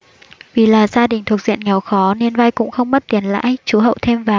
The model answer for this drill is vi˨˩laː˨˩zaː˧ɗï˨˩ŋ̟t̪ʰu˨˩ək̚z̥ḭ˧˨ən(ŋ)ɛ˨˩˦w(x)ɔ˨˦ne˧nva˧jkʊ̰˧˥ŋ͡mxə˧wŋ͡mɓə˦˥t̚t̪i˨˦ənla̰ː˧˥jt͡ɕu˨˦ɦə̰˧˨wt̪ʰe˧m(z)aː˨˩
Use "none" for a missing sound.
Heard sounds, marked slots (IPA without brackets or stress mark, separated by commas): ŋ, x, v